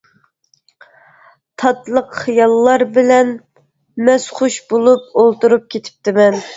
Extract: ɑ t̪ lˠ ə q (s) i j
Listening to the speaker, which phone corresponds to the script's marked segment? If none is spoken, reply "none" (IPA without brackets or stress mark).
χ